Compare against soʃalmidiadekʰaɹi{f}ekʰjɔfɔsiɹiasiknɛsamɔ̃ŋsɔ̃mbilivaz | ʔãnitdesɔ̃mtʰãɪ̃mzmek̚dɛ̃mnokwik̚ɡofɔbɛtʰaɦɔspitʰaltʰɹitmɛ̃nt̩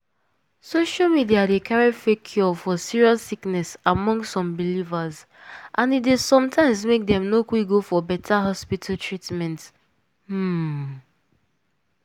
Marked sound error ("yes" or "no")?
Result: no